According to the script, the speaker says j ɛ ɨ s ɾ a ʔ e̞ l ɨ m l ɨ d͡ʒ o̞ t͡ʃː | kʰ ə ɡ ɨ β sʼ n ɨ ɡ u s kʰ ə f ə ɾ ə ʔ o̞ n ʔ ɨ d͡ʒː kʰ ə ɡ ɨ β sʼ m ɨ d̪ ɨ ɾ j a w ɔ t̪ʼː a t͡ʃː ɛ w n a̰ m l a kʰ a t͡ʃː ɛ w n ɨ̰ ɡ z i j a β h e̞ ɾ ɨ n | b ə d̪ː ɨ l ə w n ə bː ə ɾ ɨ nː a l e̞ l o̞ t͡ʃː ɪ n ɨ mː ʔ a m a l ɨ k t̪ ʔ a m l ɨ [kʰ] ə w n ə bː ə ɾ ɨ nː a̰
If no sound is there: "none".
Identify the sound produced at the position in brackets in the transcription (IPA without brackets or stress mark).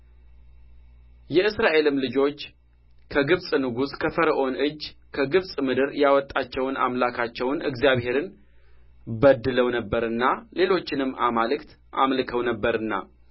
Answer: kʰ